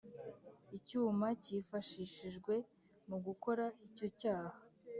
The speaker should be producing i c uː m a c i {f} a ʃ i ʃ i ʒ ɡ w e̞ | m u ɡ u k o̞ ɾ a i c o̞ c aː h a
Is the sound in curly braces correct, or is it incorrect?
correct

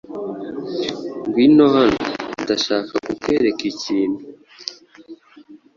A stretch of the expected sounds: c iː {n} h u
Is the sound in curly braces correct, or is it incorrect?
correct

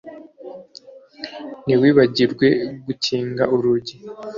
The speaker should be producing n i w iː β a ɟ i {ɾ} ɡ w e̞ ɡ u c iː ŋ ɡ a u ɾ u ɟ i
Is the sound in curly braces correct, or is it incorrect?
correct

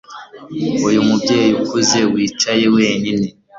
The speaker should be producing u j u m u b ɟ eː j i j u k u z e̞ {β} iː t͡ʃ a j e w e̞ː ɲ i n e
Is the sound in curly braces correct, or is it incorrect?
incorrect: w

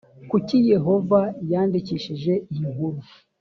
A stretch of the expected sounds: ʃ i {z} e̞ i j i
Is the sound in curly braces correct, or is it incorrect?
incorrect: ʒ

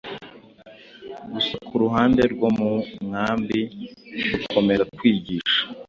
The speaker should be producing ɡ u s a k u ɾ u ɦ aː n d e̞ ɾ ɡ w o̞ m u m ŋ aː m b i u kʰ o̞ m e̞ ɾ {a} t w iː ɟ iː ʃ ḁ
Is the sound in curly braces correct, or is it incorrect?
correct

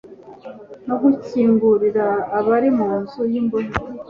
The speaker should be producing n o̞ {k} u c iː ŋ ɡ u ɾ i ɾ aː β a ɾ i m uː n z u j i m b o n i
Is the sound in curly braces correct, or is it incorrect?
incorrect: ɡ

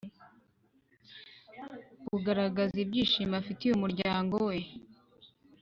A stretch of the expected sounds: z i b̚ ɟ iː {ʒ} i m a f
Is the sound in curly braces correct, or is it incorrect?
incorrect: ʃ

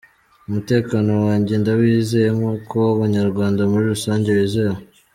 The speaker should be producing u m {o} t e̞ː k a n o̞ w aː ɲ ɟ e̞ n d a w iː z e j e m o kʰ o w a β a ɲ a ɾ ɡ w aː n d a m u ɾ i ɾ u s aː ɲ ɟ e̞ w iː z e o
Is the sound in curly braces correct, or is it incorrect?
incorrect: u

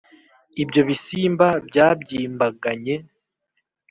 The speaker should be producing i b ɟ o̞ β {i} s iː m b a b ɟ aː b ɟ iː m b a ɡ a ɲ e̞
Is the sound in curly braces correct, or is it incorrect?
correct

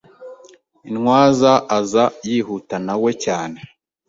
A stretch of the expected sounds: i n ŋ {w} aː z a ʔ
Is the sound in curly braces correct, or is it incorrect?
correct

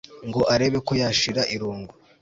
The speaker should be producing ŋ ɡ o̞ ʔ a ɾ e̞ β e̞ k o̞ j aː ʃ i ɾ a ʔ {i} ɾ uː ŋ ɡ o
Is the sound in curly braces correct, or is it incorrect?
correct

